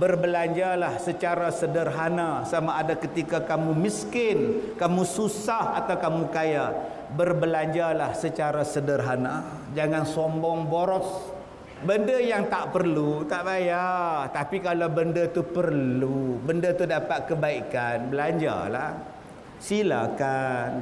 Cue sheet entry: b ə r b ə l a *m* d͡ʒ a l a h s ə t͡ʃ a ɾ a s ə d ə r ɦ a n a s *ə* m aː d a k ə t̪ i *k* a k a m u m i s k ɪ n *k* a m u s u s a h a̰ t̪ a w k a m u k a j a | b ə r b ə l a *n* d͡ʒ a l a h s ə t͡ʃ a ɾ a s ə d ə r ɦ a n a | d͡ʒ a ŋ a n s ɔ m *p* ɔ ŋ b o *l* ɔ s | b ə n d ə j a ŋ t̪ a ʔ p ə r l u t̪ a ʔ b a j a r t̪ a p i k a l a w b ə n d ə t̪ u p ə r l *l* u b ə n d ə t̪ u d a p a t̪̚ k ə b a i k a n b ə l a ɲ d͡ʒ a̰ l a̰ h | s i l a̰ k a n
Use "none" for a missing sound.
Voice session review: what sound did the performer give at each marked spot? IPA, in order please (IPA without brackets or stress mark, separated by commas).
ɲ, a, k, k, ɲ, b, ɾ, l